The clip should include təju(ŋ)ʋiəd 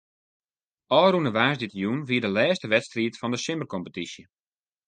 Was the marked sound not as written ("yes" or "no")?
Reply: yes